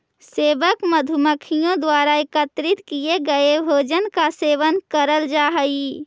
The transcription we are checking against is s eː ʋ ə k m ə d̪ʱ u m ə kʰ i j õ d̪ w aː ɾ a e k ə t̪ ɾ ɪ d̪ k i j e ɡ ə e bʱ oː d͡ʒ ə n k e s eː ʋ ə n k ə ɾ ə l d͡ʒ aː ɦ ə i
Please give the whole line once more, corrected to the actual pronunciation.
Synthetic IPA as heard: s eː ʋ ə k m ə d̪ʱ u m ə kʰ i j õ d̪ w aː ɾ a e k ə t̪ ɾ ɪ t̪ k i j e ɡ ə e bʱ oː d͡ʒ ə n k a s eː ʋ ə n k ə ɾ ə l d͡ʒ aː ɦ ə i

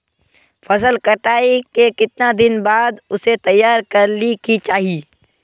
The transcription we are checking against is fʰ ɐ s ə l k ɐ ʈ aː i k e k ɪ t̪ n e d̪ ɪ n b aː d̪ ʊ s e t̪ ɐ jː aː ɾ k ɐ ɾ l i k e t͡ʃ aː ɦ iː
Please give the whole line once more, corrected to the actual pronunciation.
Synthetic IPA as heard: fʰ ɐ s ə l k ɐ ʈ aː i k e k ɪ t̪ n a d̪ ɪ n b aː d̪ ʊ s e t̪ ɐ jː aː ɾ k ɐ ɾ l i k i t͡ʃ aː ɦ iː

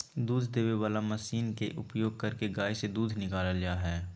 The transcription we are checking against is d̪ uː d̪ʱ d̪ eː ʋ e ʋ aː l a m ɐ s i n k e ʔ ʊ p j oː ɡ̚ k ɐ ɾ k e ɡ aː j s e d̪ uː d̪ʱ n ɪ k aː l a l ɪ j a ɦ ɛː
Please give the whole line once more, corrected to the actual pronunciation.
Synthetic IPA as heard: d̪ uː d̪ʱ d̪ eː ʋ e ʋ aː l a m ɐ s iː n k e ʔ ʊ p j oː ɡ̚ k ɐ ɾ k e ɡ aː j s e d̪ uː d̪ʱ n ɪ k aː l a l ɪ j a ɦ ɛː

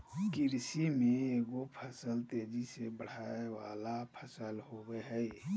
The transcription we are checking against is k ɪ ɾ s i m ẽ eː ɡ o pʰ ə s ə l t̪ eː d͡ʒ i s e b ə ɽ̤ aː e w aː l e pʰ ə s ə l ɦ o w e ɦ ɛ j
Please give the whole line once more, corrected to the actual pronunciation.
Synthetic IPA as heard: k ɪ ɾ s i m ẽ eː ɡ o pʰ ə s ə l t̪ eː d͡ʒ i s e b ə ɽ̤ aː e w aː l a pʰ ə s ə l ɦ o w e ɦ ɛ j

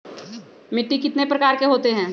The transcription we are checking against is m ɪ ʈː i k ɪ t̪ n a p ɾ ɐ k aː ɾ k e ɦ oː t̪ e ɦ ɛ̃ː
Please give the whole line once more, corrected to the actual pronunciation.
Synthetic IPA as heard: m ɪ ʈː i k ɪ t̪ n e p ɾ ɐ k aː ɾ k e ɦ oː t̪ e ɦ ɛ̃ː

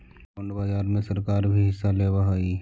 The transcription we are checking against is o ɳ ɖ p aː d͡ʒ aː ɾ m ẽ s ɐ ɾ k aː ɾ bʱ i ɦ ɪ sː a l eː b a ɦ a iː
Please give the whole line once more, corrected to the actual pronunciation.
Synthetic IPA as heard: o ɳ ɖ b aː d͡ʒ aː ɾ m ẽ s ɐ ɾ k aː ɾ bʱ i ɦ ɪ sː a l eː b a ɦ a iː

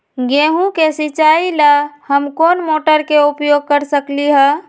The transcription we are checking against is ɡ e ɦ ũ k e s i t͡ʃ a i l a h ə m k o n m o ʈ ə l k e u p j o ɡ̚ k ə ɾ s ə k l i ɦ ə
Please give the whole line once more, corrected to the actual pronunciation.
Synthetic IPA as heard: ɡ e ɦ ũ k e s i t͡ʃ a i l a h ə m k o n m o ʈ ə ɾ k e u p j o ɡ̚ k ə ɾ s ə k l i ɦ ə

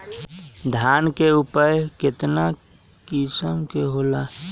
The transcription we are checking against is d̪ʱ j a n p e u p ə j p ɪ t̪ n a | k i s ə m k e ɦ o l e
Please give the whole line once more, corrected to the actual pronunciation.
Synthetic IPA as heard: d̪ʱ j a n k e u p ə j k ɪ t̪ n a | k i s ə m k e ɦ o l a

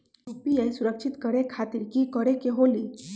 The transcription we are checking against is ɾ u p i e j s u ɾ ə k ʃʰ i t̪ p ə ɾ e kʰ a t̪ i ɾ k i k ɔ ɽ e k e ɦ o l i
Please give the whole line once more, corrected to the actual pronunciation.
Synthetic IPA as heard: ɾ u p i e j s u ɾ ə k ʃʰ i t̪ k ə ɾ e kʰ a t̪ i ɾ k i k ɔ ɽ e k e ɦ o l i

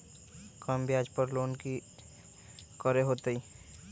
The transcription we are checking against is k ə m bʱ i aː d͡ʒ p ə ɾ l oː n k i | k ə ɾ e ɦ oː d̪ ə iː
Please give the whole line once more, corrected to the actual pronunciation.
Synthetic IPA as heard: k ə m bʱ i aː d͡ʒ p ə ɾ l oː n k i | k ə ɾ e ɦ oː t̪ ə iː

